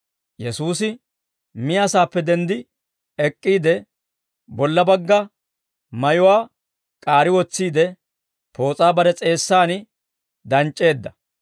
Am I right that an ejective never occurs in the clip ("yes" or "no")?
no